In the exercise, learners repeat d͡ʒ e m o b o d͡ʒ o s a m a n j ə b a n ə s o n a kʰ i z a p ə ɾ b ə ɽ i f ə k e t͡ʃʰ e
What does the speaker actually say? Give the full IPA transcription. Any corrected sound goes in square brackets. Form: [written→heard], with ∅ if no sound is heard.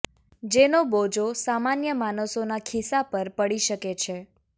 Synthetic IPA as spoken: d͡ʒ e [m→n] o b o d͡ʒ o s a m a n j ə [b→m] a n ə s o n a kʰ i [z→s] a p ə ɾ [b→p] ə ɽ i [f→ʃ] ə k e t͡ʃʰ e